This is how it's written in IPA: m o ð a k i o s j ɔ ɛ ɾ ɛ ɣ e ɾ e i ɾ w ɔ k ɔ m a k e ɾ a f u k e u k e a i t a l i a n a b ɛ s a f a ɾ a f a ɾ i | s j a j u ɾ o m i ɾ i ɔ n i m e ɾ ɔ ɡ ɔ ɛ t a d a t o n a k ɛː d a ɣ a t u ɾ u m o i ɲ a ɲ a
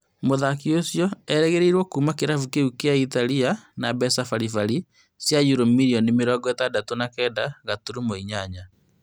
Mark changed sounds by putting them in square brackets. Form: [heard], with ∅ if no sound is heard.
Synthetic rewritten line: m o ð a k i o s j ɔ ɛ ɾ ɛ ɣ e ɾ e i ɾ w ɔ k [u] m a k e ɾ a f u k e u k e a i t a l i a n a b ɛ s a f a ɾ [i] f a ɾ i | s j a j u ɾ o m i ɾ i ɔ n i m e ɾ ɔ ɡ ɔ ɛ t a d a t o n a k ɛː d a ɣ a t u ɾ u m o i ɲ a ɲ a